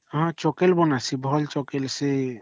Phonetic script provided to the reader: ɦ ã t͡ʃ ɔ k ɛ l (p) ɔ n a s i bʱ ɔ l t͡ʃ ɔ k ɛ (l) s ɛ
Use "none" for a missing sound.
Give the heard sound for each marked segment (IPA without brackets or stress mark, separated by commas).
b, l